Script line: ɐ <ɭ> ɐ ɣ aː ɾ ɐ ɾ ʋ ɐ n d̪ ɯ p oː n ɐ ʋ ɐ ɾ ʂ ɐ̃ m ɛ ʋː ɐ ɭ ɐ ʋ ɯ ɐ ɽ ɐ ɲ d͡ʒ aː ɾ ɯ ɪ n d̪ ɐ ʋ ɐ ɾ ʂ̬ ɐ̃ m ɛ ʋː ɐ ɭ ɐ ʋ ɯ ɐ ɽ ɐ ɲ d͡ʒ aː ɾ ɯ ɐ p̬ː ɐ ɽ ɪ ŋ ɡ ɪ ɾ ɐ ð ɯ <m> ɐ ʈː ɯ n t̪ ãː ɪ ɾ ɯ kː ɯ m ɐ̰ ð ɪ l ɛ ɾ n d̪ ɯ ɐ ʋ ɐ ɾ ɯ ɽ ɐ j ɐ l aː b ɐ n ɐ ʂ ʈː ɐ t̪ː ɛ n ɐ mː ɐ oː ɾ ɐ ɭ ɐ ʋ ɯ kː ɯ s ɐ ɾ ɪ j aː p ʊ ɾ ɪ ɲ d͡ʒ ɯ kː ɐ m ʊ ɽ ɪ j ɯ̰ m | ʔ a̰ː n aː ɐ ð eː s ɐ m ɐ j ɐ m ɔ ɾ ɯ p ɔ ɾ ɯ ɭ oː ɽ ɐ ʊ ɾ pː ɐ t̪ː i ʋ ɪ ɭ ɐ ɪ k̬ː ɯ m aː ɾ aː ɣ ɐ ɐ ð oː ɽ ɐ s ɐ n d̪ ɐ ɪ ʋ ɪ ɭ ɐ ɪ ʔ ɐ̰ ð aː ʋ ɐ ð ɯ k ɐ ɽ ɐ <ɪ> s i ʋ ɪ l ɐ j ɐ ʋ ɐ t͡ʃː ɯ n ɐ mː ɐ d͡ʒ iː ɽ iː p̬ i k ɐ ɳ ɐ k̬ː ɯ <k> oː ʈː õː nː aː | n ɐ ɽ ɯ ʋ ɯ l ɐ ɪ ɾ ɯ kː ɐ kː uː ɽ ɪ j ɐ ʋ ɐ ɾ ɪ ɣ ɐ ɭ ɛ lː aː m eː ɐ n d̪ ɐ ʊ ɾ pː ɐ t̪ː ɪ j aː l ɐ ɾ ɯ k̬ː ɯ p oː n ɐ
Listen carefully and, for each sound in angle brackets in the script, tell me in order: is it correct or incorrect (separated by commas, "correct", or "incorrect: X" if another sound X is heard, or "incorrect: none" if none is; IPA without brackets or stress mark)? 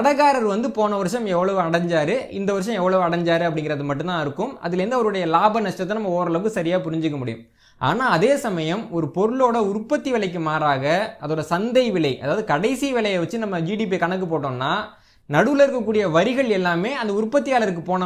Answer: incorrect: ɽ, correct, correct, incorrect: p